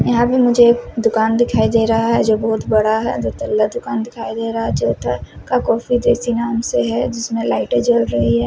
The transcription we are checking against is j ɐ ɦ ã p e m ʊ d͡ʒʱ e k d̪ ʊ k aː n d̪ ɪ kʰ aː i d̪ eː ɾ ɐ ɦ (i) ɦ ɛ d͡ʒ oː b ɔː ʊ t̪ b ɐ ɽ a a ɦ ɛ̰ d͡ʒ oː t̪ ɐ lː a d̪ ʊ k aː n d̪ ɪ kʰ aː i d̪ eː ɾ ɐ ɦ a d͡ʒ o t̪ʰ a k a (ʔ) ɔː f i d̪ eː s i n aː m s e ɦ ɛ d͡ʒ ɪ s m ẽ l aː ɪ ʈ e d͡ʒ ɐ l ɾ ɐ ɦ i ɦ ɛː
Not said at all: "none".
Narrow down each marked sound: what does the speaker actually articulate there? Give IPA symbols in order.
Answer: a, k

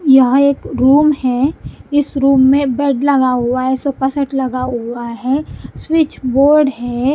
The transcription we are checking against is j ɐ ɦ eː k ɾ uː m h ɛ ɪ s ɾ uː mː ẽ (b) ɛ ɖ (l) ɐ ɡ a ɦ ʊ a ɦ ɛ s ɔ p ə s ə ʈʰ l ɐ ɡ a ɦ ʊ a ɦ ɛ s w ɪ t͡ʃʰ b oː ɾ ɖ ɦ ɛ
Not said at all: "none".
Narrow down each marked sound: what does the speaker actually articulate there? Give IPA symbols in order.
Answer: b, l

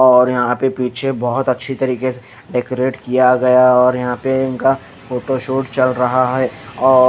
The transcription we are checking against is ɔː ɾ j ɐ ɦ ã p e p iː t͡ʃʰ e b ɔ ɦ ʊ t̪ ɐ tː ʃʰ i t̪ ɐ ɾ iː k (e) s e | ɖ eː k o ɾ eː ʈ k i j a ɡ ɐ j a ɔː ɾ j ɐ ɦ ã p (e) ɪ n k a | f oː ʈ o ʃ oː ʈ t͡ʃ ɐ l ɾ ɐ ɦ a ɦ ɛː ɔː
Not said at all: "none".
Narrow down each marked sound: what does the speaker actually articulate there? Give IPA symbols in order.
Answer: e, e

